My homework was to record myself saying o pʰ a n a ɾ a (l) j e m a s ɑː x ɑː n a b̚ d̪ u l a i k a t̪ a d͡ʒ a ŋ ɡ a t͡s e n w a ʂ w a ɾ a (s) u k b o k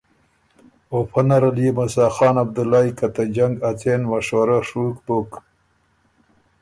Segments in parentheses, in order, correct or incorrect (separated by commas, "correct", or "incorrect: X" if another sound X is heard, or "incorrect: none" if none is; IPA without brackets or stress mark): correct, incorrect: ʂ